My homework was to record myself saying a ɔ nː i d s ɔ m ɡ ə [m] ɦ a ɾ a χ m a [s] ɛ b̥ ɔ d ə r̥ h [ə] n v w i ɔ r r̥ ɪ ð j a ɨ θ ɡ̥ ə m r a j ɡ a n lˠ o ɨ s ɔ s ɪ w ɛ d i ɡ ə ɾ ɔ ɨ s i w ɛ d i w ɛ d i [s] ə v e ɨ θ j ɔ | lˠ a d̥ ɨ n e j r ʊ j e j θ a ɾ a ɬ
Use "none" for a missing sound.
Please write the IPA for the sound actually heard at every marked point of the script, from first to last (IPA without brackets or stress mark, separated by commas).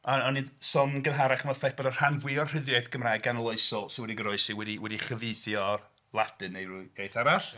n, f, a, χ